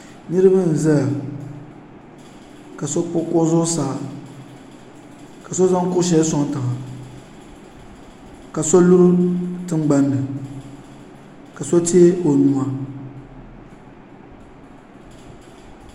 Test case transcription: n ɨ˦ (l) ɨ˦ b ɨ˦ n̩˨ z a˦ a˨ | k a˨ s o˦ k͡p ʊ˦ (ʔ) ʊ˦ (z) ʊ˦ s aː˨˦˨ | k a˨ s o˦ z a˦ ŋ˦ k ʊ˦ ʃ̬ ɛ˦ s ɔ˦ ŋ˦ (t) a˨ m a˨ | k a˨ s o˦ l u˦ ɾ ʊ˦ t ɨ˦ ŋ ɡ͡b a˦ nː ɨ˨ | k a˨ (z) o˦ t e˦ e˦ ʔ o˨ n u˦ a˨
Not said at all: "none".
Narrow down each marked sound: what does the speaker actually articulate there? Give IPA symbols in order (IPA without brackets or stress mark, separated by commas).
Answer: ɾ, k, z, t, s